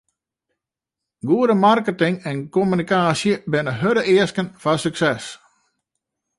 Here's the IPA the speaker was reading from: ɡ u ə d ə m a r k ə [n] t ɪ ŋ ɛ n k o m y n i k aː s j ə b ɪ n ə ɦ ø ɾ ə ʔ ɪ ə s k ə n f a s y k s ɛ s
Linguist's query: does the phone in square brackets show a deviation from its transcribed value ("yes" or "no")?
yes